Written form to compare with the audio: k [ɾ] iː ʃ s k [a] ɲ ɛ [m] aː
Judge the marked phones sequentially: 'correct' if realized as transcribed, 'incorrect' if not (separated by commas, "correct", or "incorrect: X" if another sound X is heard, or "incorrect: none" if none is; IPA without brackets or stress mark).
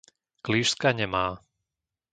incorrect: l, correct, correct